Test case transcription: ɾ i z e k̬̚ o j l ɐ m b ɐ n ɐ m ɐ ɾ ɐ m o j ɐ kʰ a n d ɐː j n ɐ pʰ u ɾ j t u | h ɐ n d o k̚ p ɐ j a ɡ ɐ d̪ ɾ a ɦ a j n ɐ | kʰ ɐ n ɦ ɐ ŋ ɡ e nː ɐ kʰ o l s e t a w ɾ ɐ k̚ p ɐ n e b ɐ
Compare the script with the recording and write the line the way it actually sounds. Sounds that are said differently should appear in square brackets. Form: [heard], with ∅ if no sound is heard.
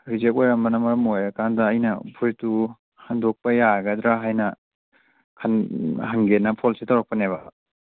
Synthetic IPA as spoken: ɾ i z e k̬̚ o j [ɾ] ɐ m b ɐ n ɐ m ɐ ɾ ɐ m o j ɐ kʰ a n d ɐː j n ɐ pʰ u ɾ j t u | h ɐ n d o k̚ p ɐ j a ɡ ɐ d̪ ɾ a ɦ a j n ɐ | kʰ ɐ n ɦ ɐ ŋ ɡ e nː ɐ [pʰ] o l s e t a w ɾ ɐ k̚ p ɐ n e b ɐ